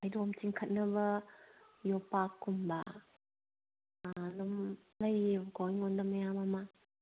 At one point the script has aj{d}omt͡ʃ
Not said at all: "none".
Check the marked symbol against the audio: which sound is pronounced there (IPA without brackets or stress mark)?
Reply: d